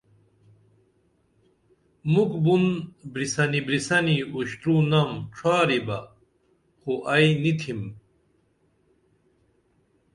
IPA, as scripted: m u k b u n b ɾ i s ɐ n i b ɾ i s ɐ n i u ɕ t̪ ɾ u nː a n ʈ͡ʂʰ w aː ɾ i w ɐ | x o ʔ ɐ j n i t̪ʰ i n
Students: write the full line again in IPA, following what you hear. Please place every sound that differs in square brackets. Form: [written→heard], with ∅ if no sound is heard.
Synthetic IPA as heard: m u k b u n b ɾ i s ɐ n i b ɾ i s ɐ n i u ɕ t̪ ɾ u [nː→n] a [n→m] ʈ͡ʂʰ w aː ɾ i [w→b] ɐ | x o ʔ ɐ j n i t̪ʰ i [n→m]